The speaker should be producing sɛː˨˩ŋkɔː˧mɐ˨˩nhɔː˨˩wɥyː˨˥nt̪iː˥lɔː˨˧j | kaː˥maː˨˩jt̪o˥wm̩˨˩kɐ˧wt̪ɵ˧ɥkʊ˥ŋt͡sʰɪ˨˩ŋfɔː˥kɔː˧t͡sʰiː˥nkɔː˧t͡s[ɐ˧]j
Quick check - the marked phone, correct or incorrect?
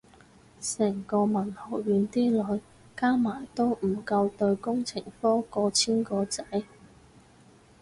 incorrect